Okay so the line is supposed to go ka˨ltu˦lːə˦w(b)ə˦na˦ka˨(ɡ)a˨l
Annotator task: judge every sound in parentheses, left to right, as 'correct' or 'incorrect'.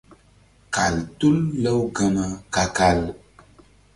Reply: incorrect: ɡ, incorrect: k

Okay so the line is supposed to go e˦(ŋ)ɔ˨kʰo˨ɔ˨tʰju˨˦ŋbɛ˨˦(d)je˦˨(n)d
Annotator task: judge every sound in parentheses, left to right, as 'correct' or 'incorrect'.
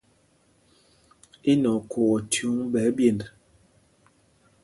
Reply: incorrect: n, incorrect: b, correct

